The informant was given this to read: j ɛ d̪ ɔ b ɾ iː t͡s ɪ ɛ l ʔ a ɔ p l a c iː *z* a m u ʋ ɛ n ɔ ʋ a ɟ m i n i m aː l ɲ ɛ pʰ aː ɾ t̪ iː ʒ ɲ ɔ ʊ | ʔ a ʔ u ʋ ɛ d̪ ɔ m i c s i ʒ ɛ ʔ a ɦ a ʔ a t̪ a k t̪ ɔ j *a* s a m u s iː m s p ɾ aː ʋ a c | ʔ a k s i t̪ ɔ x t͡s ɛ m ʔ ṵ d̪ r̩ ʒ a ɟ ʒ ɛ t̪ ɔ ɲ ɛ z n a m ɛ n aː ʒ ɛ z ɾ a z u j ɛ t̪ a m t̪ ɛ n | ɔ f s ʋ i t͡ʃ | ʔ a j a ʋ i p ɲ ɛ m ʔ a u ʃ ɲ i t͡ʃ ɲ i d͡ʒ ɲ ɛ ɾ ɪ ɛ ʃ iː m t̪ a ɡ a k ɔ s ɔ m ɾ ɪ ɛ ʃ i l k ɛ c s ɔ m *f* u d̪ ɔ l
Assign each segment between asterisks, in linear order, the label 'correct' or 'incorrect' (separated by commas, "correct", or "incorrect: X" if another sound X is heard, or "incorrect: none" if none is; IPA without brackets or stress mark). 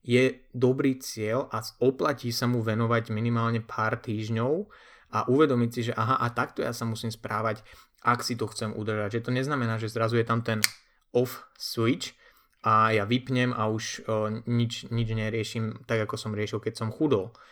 incorrect: s, correct, incorrect: x